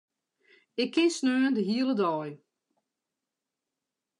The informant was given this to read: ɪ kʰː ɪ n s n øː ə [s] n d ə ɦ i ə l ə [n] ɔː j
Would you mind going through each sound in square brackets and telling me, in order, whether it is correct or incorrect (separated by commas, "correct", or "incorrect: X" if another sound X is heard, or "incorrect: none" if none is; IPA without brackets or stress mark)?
incorrect: none, incorrect: d